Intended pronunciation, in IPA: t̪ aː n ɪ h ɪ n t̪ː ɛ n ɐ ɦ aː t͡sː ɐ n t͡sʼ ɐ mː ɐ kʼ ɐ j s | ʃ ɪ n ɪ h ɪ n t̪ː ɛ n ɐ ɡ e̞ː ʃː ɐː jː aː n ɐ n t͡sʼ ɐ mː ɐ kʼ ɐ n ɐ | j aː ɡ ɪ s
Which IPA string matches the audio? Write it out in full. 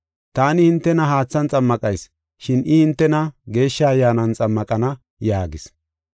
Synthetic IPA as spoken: t̪ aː n ɪ h ɪ n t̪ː ɛ n ɐ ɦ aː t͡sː ɐ n t͡sʼ ɐ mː ɐ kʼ ɐ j s | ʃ ɪ n ɪ h ɪ n t̪ː ɛ n ɐ ɡ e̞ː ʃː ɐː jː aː n ɐ n t͡sʼ ɐ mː ɐ kʼ ɐ n ɐ | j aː ɡ ɪ s